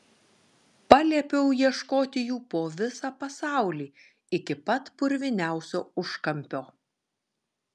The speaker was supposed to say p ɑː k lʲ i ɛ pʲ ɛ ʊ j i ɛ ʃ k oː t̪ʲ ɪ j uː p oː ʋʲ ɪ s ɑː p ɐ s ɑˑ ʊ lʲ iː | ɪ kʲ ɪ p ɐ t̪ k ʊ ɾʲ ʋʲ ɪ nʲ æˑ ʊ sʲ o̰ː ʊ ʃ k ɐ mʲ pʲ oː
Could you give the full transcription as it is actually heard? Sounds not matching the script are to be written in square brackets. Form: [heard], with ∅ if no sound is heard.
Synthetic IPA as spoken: p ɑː [∅] lʲ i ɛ pʲ ɛ ʊ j i ɛ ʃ k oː t̪ʲ ɪ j uː p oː ʋʲ ɪ s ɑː p ɐ s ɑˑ ʊ lʲ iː | ɪ kʲ ɪ p ɐ t̪ [p] ʊ ɾʲ ʋʲ ɪ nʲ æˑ ʊ sʲ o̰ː ʊ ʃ k ɐ mʲ pʲ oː